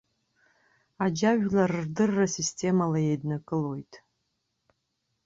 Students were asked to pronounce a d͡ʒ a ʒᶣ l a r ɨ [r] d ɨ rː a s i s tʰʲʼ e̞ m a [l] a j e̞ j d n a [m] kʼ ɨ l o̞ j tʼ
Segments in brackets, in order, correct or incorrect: correct, correct, incorrect

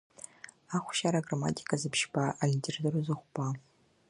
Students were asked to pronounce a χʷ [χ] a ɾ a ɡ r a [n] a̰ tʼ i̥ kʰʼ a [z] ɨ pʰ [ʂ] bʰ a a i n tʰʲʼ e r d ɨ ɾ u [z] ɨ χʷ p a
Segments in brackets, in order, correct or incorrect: incorrect, incorrect, correct, incorrect, correct

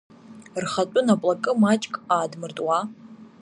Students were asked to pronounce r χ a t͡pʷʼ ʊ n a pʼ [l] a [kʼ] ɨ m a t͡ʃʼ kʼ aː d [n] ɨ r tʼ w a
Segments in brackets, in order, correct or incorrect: correct, correct, incorrect

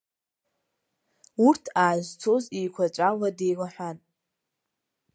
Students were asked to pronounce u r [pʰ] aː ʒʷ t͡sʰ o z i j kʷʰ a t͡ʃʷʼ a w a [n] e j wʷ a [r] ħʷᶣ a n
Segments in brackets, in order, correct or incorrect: incorrect, incorrect, incorrect

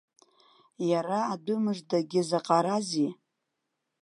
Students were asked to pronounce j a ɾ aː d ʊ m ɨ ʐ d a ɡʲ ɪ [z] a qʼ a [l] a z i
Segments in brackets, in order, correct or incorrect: correct, incorrect

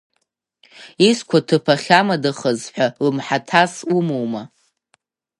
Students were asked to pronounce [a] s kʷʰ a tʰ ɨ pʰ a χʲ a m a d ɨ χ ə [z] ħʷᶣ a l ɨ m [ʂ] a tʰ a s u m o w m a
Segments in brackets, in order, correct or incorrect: incorrect, correct, incorrect

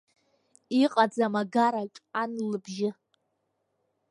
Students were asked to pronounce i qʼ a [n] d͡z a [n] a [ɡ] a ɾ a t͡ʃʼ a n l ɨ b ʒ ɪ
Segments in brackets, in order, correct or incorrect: incorrect, incorrect, correct

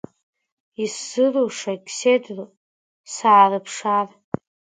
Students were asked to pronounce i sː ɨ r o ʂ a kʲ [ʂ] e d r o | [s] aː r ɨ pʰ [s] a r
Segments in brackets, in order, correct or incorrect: incorrect, correct, incorrect

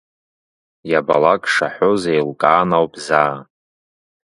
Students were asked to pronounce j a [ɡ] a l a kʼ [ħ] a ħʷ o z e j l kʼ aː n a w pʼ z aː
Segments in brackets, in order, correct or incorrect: incorrect, incorrect

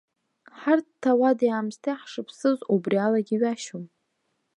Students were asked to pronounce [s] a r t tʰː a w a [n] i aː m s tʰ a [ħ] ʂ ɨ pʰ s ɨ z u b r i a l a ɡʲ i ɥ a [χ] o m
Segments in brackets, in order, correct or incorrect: incorrect, incorrect, correct, incorrect

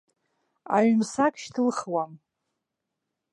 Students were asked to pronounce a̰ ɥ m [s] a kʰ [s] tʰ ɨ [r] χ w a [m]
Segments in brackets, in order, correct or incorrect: correct, incorrect, incorrect, correct

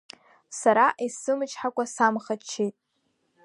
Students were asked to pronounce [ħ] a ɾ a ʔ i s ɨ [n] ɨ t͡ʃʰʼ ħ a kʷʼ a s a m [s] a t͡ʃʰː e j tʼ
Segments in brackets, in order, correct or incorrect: incorrect, incorrect, incorrect

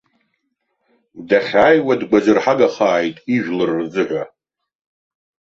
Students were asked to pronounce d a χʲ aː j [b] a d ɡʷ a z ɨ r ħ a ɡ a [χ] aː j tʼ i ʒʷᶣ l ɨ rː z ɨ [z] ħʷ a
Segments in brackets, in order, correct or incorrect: incorrect, correct, incorrect

